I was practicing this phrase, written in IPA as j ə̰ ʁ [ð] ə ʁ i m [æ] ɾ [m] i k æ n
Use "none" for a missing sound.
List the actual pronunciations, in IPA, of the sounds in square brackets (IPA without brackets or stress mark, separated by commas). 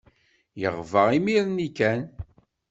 v, i, n